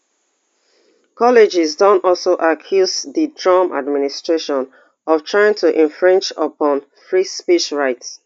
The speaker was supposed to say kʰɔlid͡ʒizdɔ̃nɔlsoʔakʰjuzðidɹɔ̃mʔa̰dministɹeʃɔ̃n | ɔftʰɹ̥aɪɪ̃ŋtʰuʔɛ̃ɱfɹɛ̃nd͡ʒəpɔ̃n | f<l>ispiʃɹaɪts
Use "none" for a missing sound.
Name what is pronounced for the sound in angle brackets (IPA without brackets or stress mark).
ɹ